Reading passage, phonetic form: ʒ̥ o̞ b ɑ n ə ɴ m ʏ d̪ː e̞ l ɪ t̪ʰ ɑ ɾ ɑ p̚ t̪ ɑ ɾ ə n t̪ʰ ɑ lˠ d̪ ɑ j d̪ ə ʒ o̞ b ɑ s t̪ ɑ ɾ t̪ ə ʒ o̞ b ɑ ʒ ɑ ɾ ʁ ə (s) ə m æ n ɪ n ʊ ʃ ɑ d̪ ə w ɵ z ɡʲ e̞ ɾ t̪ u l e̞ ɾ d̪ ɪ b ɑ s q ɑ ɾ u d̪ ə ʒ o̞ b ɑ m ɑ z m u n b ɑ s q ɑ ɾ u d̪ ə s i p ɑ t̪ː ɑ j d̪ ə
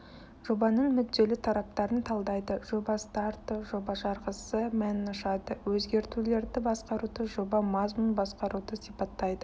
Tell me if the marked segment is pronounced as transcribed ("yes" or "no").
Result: yes